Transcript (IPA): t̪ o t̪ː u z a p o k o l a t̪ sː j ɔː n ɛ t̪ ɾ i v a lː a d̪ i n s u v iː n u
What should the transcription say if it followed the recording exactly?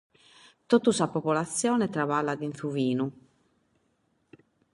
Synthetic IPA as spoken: t̪ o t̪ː u s a p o p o l a t̪ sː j ɔː n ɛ t̪ ɾ a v a lː a d̪ i n θ u v iː n u